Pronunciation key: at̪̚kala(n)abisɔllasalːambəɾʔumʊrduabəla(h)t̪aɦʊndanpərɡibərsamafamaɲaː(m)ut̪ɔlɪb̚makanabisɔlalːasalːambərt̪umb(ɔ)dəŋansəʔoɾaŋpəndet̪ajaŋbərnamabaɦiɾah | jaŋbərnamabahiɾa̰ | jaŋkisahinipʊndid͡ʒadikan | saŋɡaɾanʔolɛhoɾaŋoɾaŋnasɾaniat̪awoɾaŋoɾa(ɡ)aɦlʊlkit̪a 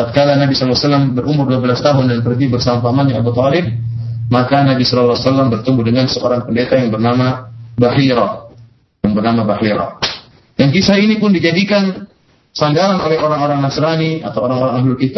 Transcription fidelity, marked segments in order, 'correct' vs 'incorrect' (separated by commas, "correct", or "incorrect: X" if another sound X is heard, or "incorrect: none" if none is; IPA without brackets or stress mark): correct, incorrect: s, incorrect: b, incorrect: u, incorrect: ŋ